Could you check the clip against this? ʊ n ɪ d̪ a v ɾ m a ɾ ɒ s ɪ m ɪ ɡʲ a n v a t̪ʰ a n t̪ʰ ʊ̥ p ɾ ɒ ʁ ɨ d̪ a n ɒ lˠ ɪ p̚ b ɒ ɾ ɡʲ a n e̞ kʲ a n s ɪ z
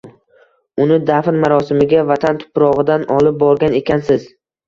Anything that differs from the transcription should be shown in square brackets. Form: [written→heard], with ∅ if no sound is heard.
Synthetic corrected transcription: ʊ n ɪ d̪ a [v→f] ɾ m a ɾ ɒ s ɪ m ɪ ɡʲ a [n→∅] v a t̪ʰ a n t̪ʰ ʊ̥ p ɾ ɒ ʁ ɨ d̪ a n ɒ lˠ ɪ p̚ b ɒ ɾ ɡʲ a n e̞ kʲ a n s ɪ z